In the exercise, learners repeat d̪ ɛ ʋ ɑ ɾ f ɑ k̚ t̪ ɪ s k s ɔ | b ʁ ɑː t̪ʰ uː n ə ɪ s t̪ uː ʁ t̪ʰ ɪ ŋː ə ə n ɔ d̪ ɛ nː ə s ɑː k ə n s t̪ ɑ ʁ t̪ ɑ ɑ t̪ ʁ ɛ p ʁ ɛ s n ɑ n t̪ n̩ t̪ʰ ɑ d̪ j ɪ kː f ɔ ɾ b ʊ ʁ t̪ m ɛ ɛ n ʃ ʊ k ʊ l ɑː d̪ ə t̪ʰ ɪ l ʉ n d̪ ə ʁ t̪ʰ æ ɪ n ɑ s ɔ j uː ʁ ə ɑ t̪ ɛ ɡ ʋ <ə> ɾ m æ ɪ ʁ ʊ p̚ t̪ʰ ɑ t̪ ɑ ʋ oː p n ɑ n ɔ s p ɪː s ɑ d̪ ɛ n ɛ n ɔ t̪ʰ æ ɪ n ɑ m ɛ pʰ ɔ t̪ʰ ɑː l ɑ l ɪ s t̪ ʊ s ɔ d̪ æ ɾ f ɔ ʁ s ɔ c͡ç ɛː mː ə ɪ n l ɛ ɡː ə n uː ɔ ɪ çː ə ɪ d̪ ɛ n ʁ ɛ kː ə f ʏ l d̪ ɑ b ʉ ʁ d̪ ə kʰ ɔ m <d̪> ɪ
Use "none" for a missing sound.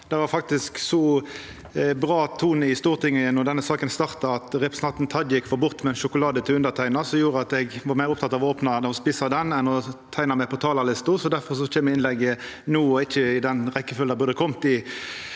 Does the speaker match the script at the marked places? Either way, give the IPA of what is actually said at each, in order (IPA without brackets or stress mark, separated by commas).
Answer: ɑ, t̪